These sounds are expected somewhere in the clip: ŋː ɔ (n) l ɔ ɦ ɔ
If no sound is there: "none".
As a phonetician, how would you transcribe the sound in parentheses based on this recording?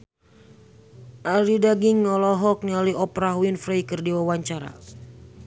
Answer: none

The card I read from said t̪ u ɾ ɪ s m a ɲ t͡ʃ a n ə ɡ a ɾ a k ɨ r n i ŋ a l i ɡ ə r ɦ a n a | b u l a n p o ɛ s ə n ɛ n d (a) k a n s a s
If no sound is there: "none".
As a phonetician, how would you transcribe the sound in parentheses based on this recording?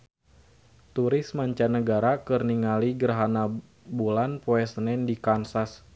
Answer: i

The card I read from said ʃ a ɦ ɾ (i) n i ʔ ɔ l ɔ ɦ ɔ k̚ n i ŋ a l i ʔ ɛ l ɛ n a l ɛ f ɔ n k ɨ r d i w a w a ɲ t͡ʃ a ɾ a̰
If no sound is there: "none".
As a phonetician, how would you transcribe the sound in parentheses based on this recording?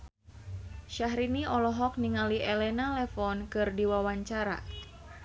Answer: i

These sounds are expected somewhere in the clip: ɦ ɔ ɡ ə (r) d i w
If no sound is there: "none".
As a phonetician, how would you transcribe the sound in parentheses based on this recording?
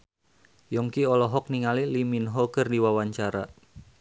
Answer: r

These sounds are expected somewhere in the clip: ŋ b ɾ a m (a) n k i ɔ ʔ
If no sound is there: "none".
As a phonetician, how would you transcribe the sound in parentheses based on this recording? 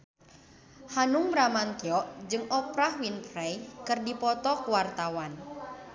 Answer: a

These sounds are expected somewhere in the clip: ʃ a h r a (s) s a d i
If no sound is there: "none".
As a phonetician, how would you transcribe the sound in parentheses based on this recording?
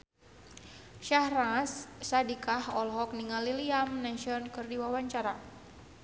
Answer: s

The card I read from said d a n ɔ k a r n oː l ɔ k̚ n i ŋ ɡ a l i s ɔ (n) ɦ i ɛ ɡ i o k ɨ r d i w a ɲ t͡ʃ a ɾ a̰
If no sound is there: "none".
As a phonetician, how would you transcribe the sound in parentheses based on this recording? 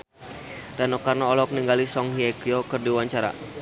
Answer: ŋ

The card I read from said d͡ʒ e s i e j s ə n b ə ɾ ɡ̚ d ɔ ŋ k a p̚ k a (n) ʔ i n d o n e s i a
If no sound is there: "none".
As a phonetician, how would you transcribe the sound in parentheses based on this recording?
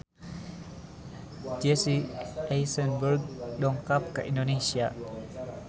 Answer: none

